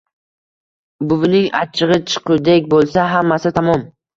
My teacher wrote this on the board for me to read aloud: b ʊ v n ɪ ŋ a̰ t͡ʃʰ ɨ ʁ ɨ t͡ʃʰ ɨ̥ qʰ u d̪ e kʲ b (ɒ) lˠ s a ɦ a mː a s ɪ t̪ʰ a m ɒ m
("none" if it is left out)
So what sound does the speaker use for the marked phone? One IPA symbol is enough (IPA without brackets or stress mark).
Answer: o